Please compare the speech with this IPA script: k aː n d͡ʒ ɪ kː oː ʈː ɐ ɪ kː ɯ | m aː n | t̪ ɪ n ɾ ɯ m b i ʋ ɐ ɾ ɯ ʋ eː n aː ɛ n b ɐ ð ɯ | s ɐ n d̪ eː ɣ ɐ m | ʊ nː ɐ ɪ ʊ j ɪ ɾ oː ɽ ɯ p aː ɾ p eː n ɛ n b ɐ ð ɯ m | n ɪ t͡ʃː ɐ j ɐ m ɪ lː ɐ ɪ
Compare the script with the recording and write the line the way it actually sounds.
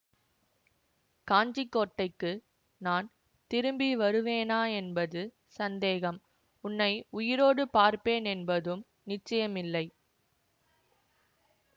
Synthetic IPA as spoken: k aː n d͡ʒ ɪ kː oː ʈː ɐ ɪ kː ɯ | n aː n | t̪ ɪ ɾ ɯ m b i ʋ ɐ ɾ ɯ ʋ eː n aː ɛ n b ɐ ð ɯ | s ɐ n d̪ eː ɣ ɐ m | ʊ nː ɐ ɪ ʊ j ɪ ɾ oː ɽ ɯ p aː ɾ p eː n ɛ n b ɐ ð ɯ m | n ɪ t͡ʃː ɐ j ɐ m ɪ lː ɐ ɪ